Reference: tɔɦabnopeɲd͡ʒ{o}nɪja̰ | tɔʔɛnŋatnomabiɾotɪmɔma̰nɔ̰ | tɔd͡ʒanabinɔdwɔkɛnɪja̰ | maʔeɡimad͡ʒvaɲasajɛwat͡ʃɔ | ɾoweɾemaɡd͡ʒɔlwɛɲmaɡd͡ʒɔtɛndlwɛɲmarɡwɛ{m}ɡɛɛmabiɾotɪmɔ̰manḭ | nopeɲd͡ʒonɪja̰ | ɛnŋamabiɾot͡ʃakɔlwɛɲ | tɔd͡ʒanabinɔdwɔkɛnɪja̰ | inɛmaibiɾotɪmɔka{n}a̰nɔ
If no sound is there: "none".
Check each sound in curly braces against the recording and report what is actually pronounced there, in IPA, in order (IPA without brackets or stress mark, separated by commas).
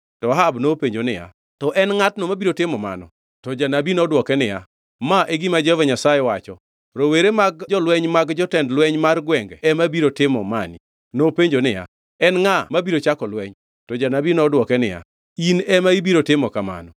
o, ŋ, m